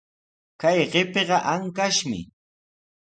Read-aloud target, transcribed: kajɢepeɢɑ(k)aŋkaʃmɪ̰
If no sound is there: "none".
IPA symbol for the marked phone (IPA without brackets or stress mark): ʔ